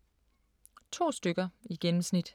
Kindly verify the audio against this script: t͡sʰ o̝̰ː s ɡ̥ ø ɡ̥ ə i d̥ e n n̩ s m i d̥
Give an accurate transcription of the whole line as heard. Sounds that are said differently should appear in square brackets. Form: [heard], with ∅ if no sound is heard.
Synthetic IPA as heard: t͡sʰ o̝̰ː s [d̥] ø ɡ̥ [ɐ] i [ɡ̥] e n [m̩] s [n] i d̥

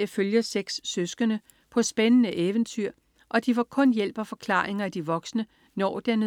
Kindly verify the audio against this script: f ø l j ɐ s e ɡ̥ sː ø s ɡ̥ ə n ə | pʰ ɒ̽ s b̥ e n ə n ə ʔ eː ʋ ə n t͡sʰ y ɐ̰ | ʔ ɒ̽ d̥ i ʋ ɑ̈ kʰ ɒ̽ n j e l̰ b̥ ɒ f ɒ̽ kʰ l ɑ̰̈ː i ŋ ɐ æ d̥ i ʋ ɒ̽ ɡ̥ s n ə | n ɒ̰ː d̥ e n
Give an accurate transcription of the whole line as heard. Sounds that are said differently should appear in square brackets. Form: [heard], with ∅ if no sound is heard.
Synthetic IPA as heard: f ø l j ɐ s e ɡ̥ sː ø s ɡ̥ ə n ə | pʰ ɒ̽ s b̥ e n ə n ə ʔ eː ʋ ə n t͡sʰ y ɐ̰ | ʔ ɒ̽ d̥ i ʋ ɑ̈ kʰ [ɔ̽] n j e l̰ b̥ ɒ f ɒ̽ kʰ l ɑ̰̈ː [e] ŋ ɐ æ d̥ i ʋ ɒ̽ ɡ̥ s n ə | n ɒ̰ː d̥ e n

